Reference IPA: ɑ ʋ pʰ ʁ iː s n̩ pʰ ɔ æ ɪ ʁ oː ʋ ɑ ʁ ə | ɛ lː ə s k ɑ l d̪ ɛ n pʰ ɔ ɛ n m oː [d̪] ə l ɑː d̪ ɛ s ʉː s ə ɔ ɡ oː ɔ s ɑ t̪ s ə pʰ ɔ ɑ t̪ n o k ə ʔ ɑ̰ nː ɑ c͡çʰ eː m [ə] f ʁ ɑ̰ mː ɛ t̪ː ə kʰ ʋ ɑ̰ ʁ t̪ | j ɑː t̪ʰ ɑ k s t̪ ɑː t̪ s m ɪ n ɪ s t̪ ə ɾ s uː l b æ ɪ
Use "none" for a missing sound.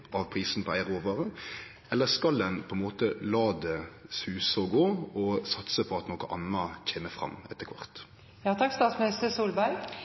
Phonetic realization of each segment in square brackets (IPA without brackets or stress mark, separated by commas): t̪, ə